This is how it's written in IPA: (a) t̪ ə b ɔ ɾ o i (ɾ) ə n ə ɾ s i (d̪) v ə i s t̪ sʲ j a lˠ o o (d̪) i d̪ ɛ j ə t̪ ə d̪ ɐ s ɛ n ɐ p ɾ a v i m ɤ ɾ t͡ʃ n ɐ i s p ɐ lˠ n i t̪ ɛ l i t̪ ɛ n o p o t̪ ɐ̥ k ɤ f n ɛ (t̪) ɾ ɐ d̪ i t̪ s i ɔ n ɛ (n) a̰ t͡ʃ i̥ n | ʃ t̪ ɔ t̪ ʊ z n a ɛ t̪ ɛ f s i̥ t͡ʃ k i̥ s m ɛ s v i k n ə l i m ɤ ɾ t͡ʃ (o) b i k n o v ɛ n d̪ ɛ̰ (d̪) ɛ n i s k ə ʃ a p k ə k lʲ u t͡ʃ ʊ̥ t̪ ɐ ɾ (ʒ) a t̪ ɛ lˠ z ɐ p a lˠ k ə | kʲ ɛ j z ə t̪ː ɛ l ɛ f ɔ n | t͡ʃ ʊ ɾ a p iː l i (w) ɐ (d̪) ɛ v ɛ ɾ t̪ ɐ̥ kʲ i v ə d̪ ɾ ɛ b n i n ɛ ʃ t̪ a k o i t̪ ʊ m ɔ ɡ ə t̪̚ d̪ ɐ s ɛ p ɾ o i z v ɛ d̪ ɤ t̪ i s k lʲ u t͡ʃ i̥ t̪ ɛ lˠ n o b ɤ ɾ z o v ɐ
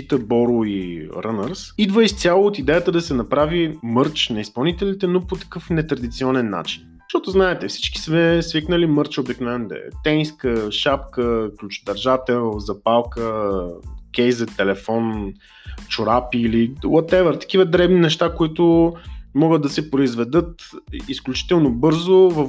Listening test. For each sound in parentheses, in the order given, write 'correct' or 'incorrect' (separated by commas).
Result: incorrect, correct, correct, incorrect, correct, incorrect, correct, incorrect, correct, correct, incorrect